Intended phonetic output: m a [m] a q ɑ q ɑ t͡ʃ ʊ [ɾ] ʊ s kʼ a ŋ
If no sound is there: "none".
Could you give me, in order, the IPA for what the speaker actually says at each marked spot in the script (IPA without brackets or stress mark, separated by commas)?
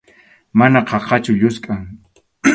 n, ʎ